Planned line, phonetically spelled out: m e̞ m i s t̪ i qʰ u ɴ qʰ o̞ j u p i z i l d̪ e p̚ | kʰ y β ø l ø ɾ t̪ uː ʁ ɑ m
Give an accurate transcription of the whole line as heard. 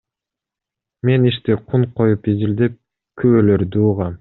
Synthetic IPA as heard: m e̞ n i ʃ t̪ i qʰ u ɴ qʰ o̞ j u p i z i l d̪ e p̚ | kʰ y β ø l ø ɾ d̪ uː ʁ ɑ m